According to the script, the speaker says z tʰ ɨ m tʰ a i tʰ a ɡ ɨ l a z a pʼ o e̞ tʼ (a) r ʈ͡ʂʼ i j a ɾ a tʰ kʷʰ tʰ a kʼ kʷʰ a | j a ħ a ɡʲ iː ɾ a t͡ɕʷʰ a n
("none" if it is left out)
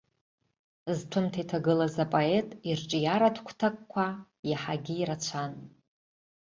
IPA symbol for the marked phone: i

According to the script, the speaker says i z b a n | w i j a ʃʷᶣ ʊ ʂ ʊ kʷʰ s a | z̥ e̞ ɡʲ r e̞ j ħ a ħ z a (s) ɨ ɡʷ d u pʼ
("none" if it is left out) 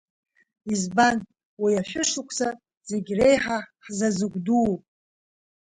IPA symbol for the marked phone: z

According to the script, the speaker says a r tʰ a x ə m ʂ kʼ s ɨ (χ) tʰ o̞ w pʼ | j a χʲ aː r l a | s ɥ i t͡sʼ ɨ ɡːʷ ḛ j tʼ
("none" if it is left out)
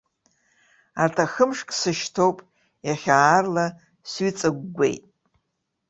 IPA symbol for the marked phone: ʃ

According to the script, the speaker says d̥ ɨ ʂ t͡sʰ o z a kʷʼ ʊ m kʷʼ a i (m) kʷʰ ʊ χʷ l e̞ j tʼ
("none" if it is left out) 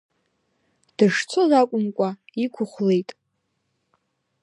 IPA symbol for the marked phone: none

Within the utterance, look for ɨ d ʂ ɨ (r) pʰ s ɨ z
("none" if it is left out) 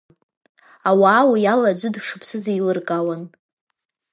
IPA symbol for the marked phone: none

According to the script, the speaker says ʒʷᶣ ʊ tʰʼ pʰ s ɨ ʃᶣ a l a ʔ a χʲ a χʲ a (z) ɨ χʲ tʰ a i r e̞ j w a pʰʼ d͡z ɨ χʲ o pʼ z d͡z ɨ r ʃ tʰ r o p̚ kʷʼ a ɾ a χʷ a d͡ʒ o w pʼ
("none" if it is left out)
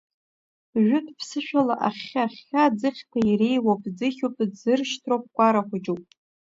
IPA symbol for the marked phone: d͡z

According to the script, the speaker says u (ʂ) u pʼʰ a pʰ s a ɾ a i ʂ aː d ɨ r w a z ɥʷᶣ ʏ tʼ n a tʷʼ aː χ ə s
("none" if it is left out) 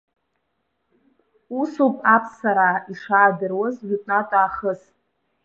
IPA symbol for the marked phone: s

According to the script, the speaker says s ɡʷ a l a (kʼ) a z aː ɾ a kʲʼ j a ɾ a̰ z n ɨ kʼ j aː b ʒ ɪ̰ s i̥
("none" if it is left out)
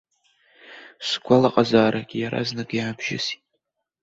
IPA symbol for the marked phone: qʼ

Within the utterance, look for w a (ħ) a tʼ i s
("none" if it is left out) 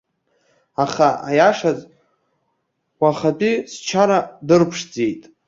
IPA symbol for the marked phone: χ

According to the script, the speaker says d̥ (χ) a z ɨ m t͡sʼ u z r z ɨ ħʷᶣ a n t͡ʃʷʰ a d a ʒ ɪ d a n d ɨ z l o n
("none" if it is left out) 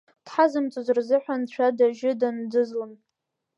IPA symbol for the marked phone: ħ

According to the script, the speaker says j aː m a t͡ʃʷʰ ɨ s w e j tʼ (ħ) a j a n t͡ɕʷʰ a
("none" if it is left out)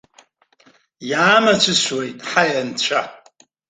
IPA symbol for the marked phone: ħ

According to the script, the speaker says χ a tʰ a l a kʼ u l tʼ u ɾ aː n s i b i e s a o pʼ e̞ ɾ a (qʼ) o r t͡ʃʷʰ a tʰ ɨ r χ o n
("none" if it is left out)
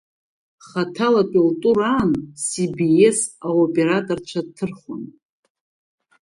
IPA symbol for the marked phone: tʼ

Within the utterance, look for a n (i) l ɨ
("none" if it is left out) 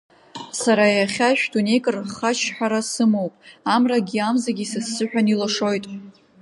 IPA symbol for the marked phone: i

